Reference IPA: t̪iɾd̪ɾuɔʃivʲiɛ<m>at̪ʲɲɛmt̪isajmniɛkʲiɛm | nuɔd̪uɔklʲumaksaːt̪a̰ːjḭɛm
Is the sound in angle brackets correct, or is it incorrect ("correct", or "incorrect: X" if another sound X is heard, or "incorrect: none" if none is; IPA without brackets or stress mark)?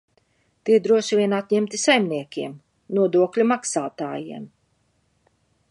incorrect: n